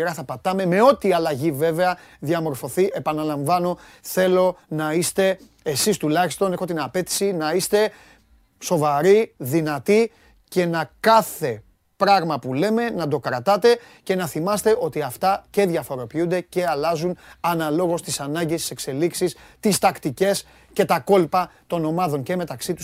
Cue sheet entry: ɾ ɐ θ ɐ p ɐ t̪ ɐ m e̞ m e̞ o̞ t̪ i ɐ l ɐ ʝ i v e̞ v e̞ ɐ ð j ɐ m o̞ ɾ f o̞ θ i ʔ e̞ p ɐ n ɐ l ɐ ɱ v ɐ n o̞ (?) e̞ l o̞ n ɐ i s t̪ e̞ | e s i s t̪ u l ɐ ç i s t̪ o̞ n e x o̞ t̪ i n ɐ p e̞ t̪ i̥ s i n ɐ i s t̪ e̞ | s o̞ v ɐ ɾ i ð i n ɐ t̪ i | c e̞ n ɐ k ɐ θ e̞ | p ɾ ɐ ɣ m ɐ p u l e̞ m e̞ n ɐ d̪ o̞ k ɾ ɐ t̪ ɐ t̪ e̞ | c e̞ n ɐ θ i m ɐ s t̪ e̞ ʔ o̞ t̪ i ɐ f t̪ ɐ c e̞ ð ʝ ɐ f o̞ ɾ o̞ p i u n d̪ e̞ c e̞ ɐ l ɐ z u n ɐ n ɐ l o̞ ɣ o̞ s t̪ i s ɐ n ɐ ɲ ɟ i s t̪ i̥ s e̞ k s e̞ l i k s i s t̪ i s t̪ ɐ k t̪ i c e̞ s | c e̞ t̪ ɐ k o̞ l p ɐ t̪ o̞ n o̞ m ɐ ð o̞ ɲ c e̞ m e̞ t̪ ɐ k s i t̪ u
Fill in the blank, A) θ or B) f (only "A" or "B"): A